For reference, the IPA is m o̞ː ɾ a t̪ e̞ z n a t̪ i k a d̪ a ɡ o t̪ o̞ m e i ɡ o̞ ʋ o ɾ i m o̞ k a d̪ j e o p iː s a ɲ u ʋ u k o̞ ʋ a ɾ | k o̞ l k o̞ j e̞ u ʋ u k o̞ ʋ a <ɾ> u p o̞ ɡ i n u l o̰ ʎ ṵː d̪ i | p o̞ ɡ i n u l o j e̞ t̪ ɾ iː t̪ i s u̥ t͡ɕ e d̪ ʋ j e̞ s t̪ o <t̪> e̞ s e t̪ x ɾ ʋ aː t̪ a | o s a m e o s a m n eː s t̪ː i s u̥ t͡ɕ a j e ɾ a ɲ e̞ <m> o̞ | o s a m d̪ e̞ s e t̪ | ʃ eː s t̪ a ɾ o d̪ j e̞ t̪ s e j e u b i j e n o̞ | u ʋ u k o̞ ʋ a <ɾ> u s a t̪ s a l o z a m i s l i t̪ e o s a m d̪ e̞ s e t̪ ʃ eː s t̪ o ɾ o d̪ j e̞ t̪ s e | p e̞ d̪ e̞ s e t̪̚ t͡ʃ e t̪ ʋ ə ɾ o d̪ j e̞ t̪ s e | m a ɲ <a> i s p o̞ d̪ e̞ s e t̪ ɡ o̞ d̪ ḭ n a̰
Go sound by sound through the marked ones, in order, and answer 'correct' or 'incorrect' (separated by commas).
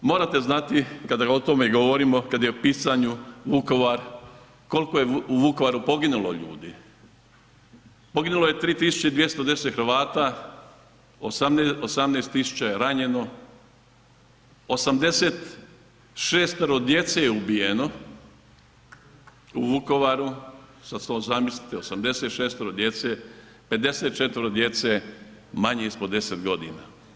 correct, incorrect, incorrect, correct, incorrect